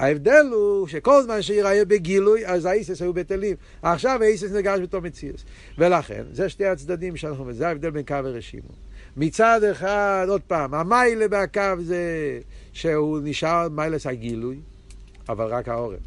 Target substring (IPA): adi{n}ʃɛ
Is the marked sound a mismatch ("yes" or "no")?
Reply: yes